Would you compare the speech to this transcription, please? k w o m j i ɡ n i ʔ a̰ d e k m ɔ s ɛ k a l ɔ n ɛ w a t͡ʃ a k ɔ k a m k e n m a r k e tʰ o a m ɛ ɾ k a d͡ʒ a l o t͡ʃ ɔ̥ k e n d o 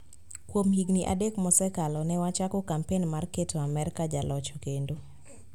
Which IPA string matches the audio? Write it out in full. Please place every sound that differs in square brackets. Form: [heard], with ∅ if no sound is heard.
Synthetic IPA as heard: k w o m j i ɡ n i ʔ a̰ d e k m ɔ s ɛ k a l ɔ n ɛ w a t͡ʃ a k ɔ k a m [p] e n m a r k e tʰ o a m ɛ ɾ k a d͡ʒ a l [ɔ] t͡ʃ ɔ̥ k e n d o